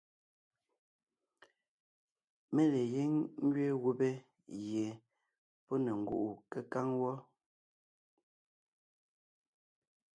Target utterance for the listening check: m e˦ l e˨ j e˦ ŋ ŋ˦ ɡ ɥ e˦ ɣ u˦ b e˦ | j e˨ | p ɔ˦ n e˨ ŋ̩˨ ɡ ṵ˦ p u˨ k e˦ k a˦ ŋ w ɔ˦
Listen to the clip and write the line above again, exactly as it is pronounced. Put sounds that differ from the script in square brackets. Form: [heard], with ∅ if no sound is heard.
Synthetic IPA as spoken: m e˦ l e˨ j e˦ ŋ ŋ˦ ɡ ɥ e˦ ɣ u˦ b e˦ | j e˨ | p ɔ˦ n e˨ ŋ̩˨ ɡ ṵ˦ [ʔ] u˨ k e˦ k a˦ ŋ w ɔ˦